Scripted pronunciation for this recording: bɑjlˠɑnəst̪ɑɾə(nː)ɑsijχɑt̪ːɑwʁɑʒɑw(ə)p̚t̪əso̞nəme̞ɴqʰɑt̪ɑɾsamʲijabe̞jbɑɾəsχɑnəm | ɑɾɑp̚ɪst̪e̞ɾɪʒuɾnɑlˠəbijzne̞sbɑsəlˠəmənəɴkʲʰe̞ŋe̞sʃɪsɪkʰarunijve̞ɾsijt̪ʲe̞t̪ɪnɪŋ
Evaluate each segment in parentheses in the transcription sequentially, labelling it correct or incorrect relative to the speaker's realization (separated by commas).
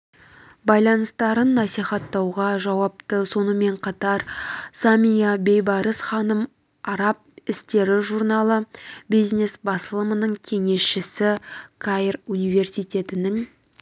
correct, incorrect